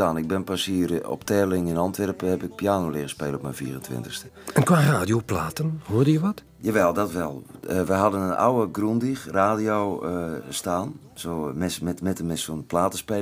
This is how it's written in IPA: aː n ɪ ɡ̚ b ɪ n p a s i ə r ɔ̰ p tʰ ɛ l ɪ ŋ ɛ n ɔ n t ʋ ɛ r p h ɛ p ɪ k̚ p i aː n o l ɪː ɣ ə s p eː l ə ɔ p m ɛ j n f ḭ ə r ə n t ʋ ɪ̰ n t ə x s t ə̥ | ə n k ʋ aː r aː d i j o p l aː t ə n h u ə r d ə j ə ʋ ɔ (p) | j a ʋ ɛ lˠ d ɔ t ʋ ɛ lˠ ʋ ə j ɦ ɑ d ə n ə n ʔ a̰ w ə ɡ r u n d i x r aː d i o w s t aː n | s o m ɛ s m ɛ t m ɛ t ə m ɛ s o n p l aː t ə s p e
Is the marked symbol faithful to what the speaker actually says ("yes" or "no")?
no